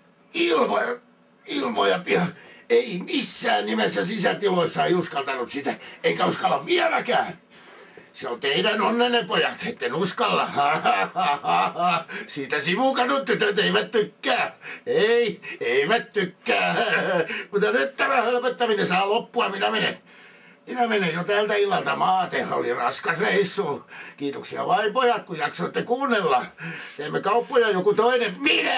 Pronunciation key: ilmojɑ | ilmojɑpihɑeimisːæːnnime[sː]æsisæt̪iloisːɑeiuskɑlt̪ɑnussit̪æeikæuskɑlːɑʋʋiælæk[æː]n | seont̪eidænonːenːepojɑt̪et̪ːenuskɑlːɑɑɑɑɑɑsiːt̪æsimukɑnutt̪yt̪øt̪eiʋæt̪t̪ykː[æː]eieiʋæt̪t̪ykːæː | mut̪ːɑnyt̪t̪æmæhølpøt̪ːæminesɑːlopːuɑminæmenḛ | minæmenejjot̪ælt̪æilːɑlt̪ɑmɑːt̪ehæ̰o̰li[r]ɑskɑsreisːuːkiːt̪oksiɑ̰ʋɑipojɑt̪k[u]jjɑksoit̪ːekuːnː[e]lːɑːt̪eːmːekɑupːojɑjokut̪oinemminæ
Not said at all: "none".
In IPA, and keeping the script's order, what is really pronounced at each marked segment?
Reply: sː, æː, æː, r, u, e

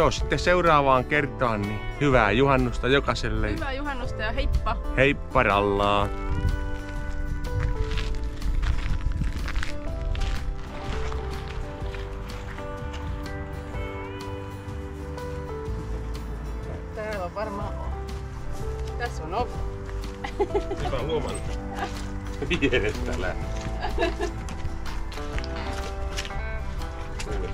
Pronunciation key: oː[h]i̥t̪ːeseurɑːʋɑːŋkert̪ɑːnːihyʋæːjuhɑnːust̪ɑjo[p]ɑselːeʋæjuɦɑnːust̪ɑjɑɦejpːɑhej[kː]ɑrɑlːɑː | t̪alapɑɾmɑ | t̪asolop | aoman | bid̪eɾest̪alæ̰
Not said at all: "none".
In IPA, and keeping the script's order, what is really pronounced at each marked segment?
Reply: s, k, pː

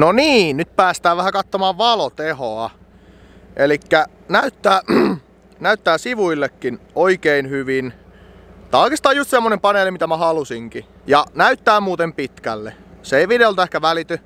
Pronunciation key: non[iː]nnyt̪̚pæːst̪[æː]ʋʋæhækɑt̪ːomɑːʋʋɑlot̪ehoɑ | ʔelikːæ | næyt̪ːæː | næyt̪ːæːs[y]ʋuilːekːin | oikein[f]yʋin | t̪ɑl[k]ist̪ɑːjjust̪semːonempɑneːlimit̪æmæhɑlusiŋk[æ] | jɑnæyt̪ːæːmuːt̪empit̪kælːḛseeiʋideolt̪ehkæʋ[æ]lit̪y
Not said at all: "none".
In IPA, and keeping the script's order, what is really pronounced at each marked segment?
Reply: iː, æː, i, h, k, i, æ

